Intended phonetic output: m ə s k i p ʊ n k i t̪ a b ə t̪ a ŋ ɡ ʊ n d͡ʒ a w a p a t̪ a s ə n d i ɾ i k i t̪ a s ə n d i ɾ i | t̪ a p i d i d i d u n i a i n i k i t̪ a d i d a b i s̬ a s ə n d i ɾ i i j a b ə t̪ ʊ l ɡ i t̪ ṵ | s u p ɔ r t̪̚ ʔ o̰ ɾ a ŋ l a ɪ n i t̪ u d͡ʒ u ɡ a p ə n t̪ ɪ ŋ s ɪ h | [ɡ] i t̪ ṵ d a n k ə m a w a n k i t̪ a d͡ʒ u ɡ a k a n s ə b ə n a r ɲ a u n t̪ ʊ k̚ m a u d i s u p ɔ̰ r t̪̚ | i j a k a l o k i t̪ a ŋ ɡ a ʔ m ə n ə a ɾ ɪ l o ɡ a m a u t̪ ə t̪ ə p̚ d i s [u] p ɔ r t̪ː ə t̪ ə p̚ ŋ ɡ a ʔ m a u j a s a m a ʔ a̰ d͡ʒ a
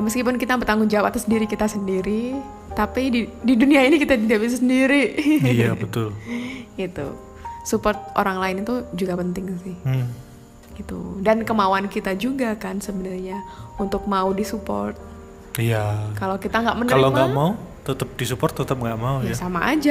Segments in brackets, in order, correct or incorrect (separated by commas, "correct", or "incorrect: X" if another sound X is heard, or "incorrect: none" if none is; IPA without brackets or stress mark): correct, correct